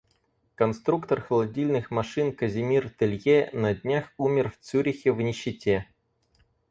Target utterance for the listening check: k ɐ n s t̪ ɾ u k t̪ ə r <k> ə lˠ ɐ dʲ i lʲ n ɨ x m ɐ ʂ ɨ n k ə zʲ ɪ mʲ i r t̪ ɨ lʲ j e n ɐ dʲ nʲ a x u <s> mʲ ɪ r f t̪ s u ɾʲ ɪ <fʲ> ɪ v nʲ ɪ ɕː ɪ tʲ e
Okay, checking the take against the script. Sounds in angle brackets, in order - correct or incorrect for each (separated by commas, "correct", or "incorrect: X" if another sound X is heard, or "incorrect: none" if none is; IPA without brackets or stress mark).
incorrect: x, incorrect: none, incorrect: xʲ